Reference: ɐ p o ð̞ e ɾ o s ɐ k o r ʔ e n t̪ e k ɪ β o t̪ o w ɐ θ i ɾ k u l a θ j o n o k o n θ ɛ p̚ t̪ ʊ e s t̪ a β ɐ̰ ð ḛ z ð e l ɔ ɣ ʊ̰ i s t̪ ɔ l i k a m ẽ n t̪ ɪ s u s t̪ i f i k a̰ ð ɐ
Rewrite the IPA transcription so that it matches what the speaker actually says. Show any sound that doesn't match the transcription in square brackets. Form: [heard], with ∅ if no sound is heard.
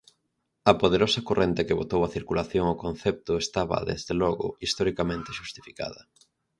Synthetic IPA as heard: ɐ p o ð̞ e ɾ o s ɐ k o r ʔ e n t̪ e k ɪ β o t̪ o w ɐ θ i ɾ k u l a θ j o [ŋ] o k o n θ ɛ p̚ t̪ ʊ e s t̪ a β ɐ̰ ð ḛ z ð e l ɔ ɣ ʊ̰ i s t̪ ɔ [ɾ] i k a m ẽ n t̪ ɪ [ʃ] u s t̪ i f i k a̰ ð ɐ